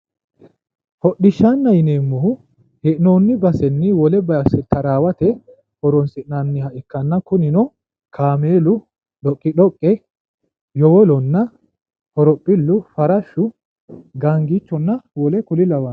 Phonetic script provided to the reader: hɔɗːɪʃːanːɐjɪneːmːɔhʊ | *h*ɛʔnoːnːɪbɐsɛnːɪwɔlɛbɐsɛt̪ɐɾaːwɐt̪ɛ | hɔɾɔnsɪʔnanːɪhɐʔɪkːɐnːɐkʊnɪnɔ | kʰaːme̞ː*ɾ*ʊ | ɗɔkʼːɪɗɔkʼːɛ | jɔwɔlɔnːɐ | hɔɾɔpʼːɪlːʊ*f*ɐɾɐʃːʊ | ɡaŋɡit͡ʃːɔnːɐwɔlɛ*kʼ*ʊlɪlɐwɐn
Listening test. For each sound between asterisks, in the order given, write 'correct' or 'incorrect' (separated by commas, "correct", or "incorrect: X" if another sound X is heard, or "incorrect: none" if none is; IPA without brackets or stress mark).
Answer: correct, incorrect: l, correct, incorrect: k